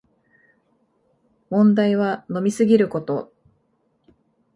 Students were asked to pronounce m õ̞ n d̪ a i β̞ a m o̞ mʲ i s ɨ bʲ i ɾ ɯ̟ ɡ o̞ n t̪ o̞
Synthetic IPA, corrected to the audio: m õ̞ n d̪ a i β̞ a n o̞ mʲ i s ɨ ɡʲ i ɾ ɯ̟ k o̞ t̪ o̞